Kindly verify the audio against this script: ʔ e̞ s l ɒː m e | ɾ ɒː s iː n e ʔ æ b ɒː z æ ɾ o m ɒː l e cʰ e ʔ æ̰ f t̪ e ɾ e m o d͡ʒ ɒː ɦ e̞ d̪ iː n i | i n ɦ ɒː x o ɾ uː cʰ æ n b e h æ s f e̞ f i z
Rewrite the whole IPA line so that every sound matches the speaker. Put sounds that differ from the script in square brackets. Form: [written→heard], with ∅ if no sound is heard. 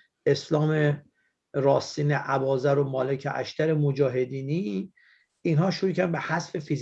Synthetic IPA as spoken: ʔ e̞ s l ɒː m e | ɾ ɒː s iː n e ʔ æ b ɒː z æ ɾ o m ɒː l e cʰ e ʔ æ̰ [f→ʃ] t̪ [e→æ] ɾ e m o d͡ʒ ɒː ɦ e̞ d̪ iː n i | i n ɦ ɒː [x→ʃ] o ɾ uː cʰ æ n b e h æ s f e̞ f i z